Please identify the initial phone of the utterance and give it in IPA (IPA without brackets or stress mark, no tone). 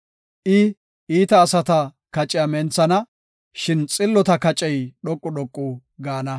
ʔ